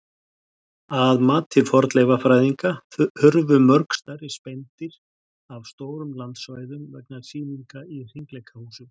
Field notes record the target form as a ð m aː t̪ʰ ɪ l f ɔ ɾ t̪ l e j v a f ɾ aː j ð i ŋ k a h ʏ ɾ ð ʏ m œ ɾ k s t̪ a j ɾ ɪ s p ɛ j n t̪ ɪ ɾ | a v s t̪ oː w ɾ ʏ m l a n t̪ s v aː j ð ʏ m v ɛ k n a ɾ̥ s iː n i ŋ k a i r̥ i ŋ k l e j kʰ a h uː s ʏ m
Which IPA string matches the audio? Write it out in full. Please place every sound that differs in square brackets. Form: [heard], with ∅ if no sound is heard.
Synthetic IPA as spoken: a ð m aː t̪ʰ ɪ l f ɔ ɾ t̪ l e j v a f ɾ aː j ð i ŋ k a h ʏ ɾ [v] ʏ m œ ɾ k s t̪ a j ɾ ɪ s p ɛ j n t̪ ɪ ɾ | a v s t̪ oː w ɾ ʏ m l a n t̪ s v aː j ð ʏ m v ɛ k n a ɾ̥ s iː n i ŋ k a i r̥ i ŋ k l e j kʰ a h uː s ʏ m